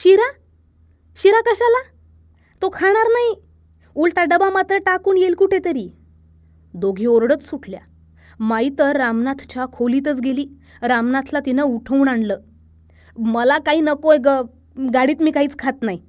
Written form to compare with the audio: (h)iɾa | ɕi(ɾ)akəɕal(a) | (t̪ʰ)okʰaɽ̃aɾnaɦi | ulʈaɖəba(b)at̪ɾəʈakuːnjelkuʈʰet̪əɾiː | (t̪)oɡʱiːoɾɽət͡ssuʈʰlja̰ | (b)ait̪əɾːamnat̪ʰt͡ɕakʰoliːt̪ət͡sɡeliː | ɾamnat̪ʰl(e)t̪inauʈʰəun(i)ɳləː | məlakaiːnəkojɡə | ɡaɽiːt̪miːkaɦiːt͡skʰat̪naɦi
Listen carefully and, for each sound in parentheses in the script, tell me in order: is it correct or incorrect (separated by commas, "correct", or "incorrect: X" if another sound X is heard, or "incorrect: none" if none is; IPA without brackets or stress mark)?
incorrect: ɕ, correct, correct, incorrect: t̪, incorrect: m, incorrect: d̪, incorrect: m, incorrect: a, incorrect: a